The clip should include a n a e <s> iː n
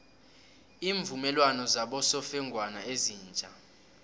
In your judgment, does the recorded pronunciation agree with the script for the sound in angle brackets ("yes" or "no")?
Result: no